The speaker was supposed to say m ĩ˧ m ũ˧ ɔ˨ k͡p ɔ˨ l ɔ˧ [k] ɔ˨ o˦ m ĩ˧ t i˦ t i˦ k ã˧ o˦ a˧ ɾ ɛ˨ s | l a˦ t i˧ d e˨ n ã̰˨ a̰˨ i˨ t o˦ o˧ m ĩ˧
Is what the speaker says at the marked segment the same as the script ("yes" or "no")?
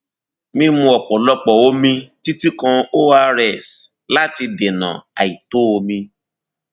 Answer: no